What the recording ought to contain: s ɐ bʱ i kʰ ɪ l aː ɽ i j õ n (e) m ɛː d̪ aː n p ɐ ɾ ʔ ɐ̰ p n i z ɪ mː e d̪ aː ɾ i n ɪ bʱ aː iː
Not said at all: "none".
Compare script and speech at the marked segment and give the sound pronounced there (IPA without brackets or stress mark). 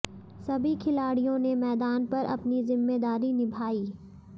e